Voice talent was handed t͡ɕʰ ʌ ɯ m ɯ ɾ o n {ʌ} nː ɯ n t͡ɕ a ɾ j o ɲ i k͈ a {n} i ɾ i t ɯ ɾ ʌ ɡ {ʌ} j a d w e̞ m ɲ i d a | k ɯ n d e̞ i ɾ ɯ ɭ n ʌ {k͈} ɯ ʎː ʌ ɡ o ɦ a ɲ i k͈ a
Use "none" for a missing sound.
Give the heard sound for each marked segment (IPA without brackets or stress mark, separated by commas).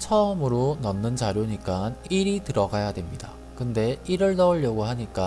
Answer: ʌ, n, a, none